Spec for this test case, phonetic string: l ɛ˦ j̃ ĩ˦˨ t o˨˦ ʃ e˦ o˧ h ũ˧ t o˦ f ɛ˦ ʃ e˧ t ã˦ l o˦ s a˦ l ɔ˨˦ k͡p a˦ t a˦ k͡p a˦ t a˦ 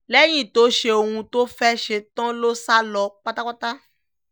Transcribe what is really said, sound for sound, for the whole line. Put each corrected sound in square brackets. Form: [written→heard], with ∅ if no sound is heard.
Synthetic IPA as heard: l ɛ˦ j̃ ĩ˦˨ t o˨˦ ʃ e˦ o˧ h ũ˧ t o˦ f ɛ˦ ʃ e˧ t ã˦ l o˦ s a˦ l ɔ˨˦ k͡p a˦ t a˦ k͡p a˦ t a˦